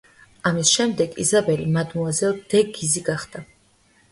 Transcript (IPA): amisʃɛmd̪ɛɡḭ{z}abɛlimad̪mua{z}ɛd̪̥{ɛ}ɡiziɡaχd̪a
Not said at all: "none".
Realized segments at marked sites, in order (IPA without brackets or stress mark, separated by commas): z, z, ɛ